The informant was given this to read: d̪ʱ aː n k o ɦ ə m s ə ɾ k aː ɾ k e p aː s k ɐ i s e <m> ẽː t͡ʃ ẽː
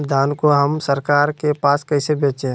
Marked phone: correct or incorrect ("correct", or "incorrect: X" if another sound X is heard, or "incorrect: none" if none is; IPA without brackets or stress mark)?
incorrect: b